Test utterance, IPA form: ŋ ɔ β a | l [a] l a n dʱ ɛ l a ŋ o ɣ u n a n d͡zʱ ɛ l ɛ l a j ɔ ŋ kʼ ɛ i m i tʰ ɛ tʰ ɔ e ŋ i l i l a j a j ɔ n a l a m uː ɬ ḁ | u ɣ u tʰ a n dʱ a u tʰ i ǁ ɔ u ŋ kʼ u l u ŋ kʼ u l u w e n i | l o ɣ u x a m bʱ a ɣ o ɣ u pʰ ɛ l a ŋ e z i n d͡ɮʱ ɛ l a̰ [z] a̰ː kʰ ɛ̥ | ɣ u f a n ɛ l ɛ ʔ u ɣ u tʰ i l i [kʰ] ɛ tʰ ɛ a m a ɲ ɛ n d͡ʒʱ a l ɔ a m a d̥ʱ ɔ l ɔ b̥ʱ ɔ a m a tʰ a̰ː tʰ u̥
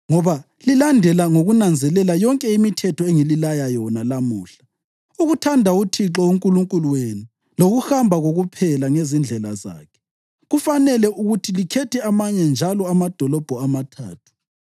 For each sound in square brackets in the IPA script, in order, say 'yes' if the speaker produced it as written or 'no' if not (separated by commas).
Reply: no, yes, yes